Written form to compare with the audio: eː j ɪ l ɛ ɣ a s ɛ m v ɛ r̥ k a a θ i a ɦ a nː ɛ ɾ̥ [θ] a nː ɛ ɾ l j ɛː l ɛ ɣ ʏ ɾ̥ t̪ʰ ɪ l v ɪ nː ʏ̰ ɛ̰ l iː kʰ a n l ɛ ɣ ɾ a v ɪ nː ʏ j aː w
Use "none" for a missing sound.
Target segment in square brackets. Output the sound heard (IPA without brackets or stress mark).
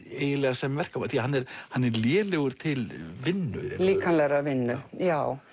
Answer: h